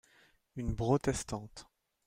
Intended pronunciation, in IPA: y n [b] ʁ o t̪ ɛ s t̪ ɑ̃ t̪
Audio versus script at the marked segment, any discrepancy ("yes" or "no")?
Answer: no